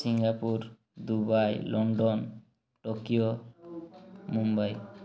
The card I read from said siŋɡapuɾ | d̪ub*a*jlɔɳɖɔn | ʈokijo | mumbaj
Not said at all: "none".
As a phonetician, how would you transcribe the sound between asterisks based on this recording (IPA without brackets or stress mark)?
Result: a